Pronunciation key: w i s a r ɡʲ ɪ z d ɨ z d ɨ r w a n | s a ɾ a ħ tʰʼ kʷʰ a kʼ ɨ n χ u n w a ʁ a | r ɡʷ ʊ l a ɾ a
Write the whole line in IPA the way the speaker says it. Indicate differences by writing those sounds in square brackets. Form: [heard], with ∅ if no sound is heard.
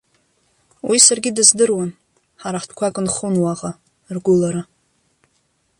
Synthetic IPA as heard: w i s a r ɡʲ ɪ [∅] d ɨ z d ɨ r w a n | [ħ] a ɾ a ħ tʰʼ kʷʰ a kʼ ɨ n χ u n w a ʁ a | r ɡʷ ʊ l a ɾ a